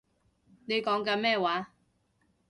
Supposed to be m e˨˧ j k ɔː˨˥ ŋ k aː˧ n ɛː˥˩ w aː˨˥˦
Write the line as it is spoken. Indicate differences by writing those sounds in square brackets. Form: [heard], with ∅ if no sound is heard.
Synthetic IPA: [n] e˨˧ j k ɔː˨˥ ŋ k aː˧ [m] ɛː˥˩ w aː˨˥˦